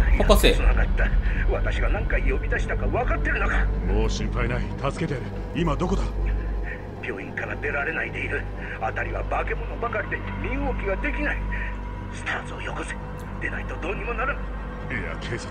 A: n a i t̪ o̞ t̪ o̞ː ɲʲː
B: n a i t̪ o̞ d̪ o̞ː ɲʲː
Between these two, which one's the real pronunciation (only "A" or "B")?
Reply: B